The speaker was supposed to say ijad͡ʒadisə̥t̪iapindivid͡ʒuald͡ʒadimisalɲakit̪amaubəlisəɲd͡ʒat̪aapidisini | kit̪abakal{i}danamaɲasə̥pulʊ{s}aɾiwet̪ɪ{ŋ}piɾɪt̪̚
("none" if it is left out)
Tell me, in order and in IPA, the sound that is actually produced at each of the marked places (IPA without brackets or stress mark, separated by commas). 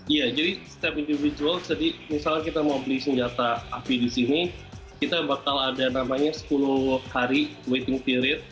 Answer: a, h, ŋ